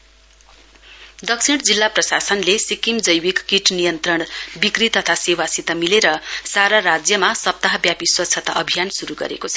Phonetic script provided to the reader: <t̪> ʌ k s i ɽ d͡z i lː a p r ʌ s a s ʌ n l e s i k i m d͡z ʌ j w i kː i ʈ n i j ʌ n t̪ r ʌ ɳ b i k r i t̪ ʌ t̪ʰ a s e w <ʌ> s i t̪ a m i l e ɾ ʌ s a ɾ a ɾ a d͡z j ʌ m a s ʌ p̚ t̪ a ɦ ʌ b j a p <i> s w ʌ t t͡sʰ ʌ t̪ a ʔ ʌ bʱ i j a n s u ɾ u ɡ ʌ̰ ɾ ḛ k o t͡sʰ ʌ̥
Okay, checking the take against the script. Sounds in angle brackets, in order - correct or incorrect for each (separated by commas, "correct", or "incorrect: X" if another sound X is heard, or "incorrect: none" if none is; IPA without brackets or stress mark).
incorrect: d̪, incorrect: a, correct